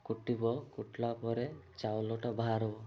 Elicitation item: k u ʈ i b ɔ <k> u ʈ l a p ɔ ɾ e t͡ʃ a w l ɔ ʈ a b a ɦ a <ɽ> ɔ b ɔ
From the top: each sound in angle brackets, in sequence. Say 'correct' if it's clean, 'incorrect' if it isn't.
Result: correct, incorrect: ɾ

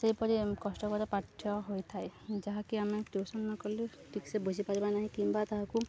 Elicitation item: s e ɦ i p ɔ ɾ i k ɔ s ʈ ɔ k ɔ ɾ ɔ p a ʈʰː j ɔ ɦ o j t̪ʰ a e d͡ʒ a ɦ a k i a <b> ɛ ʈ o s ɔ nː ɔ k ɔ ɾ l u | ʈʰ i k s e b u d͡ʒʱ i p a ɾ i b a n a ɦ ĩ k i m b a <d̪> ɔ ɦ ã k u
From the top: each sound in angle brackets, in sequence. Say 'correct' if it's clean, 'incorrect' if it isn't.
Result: incorrect: m, incorrect: t̪

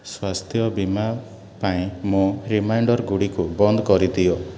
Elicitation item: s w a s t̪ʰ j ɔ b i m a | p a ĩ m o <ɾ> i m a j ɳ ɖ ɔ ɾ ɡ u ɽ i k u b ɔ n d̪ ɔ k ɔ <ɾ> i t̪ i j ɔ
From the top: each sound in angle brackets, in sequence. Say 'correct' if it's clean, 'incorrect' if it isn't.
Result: correct, correct

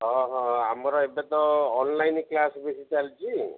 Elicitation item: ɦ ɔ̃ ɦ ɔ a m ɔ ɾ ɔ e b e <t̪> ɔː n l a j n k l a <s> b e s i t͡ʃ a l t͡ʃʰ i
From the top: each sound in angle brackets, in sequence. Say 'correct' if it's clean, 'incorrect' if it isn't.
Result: correct, correct

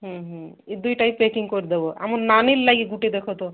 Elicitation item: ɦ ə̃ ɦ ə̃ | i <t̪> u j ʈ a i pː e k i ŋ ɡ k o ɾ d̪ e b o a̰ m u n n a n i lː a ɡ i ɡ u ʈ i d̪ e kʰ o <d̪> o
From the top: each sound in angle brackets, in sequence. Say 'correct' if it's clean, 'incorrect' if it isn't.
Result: incorrect: d̪, incorrect: t̪

